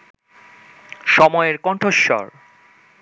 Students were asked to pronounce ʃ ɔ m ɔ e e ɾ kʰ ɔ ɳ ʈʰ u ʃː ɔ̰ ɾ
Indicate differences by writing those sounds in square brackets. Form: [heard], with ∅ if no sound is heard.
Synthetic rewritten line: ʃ ɔ m ɔ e e ɾ [k] ɔ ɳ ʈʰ [o] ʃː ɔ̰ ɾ